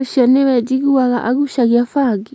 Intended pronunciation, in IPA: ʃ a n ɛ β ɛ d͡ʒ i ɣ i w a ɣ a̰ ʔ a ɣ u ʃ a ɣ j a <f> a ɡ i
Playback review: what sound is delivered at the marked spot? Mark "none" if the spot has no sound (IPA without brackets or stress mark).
f